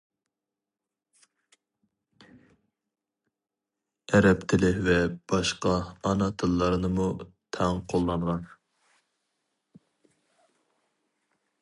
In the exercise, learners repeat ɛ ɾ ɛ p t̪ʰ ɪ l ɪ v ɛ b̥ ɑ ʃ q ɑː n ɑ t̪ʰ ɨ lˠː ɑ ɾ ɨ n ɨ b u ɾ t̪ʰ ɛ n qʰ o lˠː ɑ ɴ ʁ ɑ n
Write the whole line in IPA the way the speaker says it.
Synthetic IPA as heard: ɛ ɾ ɛ p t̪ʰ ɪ l ɪ v ɛ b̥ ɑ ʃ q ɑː n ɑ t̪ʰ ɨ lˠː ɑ ɾ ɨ n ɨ m u t̪ʰ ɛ ŋ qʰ o lˠː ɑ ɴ ʁ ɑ n